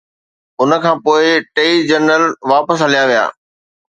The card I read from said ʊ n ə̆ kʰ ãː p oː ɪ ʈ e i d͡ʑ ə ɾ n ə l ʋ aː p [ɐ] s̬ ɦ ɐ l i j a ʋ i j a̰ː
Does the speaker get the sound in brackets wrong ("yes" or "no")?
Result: yes